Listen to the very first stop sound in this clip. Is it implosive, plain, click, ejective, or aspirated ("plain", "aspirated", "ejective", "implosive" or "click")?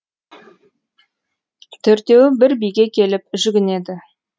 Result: aspirated